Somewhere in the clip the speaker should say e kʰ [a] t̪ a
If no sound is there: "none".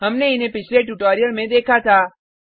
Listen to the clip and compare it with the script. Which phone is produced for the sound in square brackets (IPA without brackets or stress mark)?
a